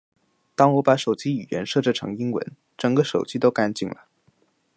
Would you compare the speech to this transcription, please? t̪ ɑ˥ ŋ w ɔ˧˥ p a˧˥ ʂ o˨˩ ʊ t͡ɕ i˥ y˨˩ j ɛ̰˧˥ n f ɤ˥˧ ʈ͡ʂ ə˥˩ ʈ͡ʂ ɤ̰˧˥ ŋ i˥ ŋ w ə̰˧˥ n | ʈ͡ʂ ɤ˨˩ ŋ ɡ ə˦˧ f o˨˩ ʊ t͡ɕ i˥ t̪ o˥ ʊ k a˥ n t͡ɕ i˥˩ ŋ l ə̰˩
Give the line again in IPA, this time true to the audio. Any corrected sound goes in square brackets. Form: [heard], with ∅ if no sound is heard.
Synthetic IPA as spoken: t̪ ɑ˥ ŋ w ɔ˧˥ p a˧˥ ʂ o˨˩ ʊ t͡ɕ i˥ y˨˩ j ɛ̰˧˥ n [ʂ] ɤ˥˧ ʈ͡ʂ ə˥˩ [ʈ͡ʂʰ] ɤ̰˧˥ ŋ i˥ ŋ w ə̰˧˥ n | ʈ͡ʂ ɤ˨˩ ŋ ɡ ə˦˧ [ʂ] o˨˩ ʊ t͡ɕ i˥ t̪ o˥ ʊ k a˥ n t͡ɕ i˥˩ ŋ l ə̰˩